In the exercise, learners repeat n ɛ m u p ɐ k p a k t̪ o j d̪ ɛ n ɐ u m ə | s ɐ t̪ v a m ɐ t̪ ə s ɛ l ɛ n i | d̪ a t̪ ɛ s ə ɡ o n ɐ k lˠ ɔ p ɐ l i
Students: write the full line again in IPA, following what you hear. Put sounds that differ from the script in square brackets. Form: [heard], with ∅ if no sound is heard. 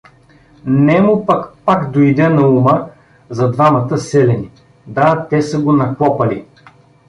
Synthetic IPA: n ɛ m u p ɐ k p a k [d̪] o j d̪ ɛ n ɐ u m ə | [z] ɐ [d̪] v a m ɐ t̪ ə s ɛ l ɛ n i | d̪ a t̪ ɛ s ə ɡ o n ɐ k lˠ ɔ p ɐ l i